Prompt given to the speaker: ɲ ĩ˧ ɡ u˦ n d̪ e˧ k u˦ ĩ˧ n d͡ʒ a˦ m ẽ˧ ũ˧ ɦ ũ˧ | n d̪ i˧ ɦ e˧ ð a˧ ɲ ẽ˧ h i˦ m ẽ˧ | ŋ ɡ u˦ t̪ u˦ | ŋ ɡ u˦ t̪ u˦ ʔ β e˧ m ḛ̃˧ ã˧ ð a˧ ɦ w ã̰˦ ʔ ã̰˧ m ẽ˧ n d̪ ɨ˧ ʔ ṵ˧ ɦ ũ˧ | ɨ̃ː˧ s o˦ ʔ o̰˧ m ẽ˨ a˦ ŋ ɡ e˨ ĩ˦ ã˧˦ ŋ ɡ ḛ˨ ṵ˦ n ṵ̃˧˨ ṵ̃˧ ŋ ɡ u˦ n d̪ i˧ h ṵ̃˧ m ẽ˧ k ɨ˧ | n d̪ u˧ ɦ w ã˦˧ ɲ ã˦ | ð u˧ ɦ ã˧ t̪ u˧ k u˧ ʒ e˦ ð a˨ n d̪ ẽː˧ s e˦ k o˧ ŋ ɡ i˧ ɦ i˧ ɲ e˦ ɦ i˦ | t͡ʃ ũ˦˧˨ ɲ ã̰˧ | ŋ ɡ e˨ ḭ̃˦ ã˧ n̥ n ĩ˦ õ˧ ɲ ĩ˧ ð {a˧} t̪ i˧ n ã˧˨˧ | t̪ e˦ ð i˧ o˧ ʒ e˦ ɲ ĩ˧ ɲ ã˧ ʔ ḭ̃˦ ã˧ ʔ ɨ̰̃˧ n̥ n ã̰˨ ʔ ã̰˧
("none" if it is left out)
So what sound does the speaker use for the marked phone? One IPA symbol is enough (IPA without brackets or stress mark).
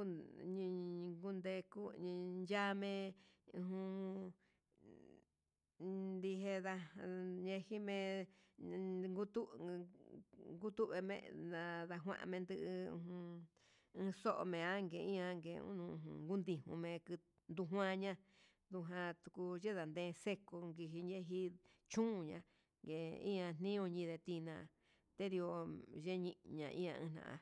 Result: e˧